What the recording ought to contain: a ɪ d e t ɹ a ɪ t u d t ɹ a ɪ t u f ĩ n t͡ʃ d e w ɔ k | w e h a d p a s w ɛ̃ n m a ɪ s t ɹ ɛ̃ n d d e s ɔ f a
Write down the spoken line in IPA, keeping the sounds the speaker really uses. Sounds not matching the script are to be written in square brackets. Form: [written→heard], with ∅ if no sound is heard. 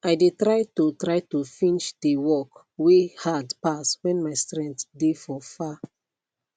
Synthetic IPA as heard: a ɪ d e t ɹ a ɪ t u [d→∅] t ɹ a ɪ t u f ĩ n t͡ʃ d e w ɔ k | w e h a d p a s w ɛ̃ n m a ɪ s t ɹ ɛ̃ n [d→t] d e [s→f] ɔ f a